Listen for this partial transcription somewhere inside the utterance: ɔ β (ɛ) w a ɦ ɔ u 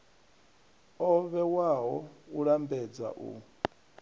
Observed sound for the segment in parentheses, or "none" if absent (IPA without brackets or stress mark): ɛ